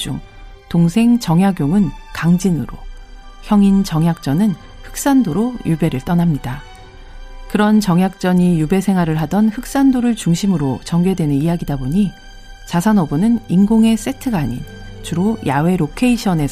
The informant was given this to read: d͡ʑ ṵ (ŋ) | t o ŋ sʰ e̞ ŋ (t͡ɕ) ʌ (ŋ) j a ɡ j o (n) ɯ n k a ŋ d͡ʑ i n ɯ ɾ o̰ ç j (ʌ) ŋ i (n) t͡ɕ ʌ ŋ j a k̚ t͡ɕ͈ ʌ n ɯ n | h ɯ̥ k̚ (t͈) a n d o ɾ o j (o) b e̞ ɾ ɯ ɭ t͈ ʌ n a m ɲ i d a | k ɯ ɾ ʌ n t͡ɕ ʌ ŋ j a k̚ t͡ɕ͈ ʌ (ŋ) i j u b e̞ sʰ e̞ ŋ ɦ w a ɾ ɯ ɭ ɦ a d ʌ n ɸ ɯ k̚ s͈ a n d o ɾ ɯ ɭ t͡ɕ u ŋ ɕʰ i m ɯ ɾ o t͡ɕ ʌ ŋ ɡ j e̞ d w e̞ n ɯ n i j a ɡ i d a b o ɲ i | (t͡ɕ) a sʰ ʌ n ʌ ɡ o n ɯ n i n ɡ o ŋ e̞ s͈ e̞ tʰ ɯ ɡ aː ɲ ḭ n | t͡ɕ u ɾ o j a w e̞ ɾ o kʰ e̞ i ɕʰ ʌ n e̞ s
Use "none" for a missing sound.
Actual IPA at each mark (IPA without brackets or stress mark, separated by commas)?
ŋ, t͡ɕ, ŋ, ŋ, ʌ, n, s͈, u, ɲ, t͡ɕ